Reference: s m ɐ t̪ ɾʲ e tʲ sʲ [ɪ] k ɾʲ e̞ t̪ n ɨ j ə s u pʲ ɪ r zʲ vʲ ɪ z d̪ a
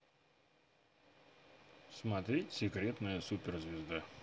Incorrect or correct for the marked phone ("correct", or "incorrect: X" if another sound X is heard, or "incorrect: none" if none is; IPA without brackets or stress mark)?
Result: correct